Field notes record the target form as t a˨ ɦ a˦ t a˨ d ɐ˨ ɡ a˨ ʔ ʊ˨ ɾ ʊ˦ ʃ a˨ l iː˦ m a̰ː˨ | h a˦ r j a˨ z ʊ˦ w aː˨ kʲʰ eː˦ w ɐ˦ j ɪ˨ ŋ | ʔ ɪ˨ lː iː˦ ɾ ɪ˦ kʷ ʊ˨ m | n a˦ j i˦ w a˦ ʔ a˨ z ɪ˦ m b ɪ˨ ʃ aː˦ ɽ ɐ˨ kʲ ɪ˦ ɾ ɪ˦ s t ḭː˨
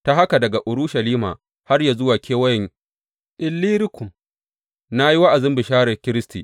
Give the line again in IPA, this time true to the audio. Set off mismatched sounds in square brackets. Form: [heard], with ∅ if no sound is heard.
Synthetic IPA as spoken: t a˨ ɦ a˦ [k] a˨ d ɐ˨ ɡ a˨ ʔ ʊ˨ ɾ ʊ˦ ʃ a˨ l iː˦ m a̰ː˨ | h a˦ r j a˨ z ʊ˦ w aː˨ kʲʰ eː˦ w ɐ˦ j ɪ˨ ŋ | ʔ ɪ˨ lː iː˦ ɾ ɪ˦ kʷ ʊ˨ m | n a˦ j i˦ w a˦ ʔ a˨ z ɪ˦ m b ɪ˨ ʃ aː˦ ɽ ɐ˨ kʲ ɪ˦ ɾ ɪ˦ s t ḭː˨